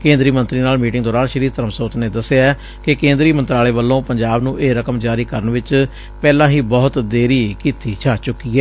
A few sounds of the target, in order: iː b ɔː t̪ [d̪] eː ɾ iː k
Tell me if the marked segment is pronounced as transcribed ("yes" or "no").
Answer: yes